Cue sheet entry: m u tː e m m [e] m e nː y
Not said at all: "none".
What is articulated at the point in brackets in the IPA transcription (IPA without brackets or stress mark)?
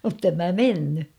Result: æ